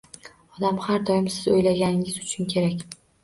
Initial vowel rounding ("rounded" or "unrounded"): rounded